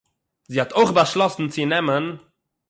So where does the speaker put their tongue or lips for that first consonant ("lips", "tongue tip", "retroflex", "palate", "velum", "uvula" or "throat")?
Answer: tongue tip